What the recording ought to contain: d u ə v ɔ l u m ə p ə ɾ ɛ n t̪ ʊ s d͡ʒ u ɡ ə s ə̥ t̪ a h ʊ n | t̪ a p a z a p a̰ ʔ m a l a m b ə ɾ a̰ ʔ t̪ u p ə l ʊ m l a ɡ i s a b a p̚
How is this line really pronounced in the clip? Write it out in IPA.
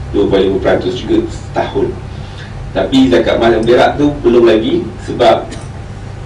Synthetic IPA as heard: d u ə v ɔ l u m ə p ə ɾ a n t̪ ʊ s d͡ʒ u ɡ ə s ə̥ t̪ a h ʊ n | t̪ a p i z a k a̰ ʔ m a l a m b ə ɾ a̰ ʔ t̪ u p ə l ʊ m l a ɡ i s ə b a p̚